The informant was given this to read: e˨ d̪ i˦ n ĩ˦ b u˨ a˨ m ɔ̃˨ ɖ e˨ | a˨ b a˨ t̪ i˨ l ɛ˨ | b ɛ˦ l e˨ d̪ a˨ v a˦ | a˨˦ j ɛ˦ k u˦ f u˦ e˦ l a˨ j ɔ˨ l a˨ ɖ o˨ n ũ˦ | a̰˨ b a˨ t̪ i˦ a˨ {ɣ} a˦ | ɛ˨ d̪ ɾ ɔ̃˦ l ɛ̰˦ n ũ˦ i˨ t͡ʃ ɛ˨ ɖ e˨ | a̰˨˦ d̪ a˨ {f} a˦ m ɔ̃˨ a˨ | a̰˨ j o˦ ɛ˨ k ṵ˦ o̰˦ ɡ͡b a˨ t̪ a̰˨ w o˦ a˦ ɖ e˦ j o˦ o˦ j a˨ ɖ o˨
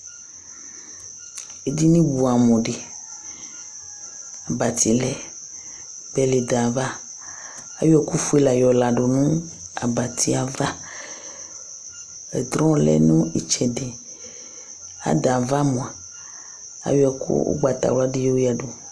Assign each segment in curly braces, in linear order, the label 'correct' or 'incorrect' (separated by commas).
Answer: incorrect, incorrect